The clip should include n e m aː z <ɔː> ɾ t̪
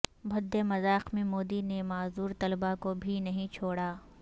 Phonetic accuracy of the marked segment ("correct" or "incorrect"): incorrect